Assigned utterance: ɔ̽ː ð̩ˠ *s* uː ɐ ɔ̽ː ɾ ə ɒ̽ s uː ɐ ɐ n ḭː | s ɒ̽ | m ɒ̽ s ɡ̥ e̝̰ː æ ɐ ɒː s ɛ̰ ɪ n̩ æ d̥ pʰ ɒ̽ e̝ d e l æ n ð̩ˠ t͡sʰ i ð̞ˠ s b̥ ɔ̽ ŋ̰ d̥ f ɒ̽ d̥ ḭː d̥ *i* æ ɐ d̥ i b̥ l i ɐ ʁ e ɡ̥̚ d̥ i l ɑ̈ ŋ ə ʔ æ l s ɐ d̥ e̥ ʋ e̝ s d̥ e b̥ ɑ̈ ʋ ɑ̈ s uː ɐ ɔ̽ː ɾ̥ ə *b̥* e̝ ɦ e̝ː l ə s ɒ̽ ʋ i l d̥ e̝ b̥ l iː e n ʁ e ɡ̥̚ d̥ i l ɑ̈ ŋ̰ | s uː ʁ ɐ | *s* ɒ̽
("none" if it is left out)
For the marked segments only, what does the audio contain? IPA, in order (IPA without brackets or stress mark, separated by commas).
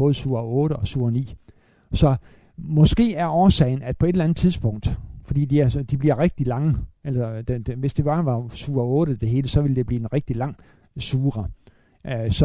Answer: s, i, d̥, s